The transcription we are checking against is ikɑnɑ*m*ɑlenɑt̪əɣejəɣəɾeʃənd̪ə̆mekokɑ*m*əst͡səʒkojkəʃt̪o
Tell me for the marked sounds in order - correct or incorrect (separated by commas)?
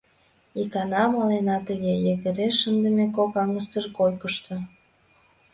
correct, incorrect